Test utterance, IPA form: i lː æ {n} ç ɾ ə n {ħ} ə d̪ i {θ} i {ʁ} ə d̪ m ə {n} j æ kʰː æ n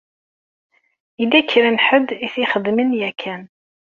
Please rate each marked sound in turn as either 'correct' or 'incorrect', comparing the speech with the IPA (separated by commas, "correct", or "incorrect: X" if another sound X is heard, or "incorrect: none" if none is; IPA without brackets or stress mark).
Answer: incorrect: none, correct, correct, incorrect: χ, correct